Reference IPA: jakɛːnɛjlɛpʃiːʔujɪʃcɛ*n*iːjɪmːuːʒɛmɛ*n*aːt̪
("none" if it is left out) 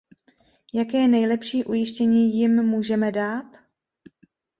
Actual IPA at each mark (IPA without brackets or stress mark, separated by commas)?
ɲ, d